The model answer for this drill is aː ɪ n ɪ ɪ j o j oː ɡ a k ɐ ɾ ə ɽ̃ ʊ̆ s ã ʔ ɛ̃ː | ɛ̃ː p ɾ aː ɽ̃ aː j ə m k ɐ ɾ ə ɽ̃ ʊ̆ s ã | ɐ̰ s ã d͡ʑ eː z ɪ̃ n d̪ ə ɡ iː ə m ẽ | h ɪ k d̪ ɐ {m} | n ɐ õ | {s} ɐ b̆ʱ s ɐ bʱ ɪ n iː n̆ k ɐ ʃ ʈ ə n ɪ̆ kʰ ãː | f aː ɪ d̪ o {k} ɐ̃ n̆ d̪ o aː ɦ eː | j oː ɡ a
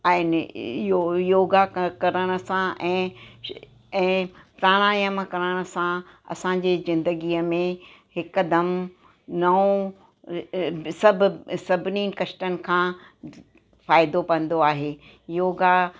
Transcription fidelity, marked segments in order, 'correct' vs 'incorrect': correct, correct, incorrect

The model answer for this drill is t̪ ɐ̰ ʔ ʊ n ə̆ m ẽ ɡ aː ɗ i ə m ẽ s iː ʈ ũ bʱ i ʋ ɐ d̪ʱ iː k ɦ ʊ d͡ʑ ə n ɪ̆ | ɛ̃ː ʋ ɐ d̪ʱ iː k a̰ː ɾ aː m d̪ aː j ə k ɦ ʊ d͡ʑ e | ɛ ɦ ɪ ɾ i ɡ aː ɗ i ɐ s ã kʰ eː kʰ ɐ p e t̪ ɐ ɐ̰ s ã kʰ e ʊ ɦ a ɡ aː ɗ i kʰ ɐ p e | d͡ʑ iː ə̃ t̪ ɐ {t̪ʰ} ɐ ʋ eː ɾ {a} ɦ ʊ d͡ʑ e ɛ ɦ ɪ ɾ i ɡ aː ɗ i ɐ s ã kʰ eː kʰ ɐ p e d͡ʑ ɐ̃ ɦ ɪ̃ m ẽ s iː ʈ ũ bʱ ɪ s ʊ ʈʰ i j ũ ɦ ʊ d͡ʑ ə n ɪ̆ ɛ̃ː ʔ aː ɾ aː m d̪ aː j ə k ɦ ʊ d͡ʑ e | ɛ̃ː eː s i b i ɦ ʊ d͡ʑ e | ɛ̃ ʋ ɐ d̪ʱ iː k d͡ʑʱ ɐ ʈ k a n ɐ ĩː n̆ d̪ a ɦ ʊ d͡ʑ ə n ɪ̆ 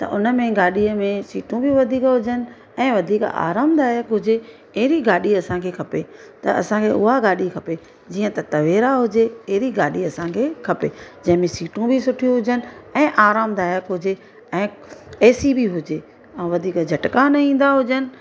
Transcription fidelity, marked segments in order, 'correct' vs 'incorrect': incorrect, correct

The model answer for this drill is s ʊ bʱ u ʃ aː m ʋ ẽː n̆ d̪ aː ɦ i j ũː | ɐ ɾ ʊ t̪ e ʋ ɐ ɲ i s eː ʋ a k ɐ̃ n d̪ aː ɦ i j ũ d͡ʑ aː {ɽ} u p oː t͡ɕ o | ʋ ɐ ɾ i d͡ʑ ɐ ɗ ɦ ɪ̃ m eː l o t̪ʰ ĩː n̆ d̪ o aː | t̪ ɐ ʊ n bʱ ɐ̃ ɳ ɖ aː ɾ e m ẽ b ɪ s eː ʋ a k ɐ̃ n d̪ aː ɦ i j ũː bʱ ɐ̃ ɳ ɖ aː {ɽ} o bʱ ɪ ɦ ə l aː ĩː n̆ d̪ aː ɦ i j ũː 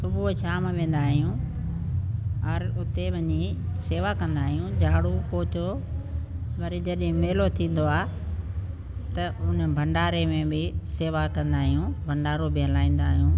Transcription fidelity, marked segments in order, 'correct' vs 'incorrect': correct, incorrect

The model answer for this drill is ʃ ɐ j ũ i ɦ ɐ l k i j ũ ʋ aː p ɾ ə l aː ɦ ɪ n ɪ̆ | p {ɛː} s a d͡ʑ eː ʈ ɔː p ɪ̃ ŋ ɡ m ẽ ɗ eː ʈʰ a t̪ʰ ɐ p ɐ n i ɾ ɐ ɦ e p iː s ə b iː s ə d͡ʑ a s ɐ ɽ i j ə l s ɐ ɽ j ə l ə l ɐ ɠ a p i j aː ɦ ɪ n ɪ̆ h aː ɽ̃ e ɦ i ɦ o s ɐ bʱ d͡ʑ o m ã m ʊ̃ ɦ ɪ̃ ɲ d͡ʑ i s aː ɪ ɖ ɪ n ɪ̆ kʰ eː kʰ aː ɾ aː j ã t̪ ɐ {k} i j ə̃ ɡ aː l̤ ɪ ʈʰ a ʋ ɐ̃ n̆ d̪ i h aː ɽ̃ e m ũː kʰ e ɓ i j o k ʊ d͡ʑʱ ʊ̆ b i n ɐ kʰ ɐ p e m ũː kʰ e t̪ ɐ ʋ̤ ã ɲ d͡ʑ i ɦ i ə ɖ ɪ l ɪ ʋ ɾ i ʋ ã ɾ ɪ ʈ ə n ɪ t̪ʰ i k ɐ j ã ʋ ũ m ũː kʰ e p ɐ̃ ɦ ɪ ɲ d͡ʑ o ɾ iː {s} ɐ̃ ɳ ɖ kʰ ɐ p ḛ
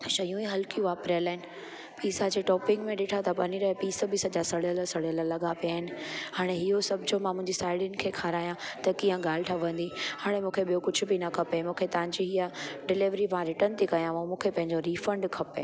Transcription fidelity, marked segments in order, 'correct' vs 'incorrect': incorrect, correct, incorrect

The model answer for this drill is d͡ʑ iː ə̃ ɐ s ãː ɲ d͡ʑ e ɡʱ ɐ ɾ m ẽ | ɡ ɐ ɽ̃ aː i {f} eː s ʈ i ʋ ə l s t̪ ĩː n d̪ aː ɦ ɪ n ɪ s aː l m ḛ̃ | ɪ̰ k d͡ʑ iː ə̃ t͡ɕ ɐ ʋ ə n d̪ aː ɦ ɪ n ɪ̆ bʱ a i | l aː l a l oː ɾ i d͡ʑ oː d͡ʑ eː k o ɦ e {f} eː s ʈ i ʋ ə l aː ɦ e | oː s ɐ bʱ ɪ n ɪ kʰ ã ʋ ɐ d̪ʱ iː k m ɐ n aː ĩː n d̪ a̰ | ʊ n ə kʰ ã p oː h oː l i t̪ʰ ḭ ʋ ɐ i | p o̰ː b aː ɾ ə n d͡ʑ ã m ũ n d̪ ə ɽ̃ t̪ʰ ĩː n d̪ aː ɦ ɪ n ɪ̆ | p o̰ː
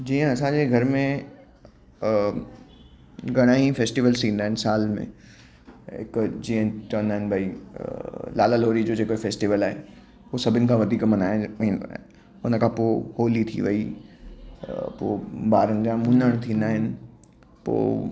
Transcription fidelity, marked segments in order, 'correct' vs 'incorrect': correct, correct

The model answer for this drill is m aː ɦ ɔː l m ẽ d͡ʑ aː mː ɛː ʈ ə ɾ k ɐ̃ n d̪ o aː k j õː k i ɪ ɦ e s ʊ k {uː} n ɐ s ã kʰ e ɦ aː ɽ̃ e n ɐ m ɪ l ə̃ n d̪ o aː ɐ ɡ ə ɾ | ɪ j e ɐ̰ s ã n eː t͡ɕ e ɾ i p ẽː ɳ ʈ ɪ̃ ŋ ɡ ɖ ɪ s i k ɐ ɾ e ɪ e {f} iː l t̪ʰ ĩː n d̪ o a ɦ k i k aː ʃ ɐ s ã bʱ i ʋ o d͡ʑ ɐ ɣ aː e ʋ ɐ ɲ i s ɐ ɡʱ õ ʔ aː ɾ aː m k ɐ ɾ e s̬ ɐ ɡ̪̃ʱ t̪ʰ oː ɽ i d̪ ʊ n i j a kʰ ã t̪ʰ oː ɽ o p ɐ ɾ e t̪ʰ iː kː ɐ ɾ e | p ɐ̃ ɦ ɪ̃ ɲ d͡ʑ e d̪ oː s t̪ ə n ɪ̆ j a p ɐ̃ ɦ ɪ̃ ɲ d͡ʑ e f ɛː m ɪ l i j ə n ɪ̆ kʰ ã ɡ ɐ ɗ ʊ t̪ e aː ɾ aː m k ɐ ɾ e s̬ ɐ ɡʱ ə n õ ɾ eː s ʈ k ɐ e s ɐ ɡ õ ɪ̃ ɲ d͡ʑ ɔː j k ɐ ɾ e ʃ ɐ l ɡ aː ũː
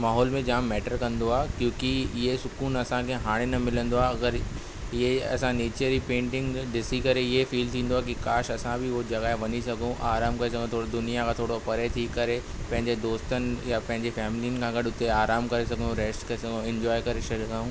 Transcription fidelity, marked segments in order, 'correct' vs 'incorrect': correct, correct

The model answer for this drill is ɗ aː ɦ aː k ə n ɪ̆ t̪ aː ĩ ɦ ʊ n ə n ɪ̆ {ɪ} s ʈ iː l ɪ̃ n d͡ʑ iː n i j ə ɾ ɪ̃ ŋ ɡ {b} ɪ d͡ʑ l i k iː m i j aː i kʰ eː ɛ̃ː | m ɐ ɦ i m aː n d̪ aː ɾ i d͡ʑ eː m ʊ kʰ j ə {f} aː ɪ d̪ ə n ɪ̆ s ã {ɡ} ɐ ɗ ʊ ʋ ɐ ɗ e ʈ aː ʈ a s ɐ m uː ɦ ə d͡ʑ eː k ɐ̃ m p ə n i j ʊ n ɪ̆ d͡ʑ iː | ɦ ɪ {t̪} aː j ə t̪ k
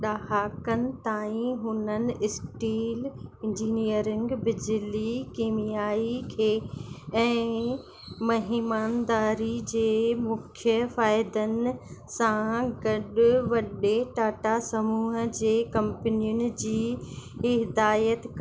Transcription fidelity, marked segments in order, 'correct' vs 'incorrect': correct, correct, correct, correct, incorrect

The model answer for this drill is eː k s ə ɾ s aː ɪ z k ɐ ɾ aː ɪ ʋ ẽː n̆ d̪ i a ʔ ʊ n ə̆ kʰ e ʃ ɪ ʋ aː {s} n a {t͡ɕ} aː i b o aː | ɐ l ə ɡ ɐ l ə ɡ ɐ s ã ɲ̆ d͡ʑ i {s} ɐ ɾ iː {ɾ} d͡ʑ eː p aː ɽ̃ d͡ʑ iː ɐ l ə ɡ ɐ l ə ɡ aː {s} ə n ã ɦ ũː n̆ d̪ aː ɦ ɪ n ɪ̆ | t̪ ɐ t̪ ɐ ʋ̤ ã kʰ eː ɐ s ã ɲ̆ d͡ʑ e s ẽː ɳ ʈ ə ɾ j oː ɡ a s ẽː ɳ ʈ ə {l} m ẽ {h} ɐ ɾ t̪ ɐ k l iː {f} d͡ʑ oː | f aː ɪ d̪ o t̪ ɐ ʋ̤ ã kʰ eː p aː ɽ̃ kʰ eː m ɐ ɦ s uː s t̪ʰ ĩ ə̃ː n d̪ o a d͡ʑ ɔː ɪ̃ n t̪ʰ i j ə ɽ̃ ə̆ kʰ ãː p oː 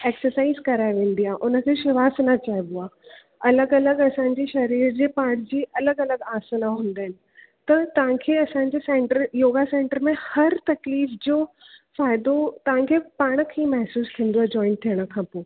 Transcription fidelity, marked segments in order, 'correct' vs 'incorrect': correct, correct, incorrect, correct, correct, incorrect, correct, correct

